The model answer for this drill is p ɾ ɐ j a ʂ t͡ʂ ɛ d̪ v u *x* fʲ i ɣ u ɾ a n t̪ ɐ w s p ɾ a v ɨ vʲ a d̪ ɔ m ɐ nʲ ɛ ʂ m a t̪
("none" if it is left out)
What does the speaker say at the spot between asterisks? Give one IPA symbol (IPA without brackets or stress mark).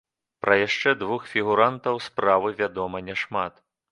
x